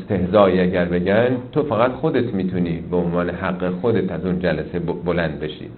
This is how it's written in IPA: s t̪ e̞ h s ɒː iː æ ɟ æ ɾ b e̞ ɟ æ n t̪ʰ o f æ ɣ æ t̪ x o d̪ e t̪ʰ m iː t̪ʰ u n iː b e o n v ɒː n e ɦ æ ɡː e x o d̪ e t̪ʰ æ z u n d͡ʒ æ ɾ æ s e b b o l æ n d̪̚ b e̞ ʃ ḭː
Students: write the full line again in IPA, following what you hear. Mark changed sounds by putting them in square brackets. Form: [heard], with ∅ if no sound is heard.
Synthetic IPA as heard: s t̪ e̞ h [z] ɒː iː æ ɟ æ ɾ b e̞ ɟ æ n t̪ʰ o f æ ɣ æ t̪ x o d̪ e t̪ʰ m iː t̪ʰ u n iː b e o n v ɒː n e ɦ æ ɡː e x o d̪ e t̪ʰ æ z u n d͡ʒ æ [l] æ s e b b o l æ n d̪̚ b e̞ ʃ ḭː